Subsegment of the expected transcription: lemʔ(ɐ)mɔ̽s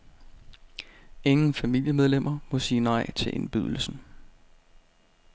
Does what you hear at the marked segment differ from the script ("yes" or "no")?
no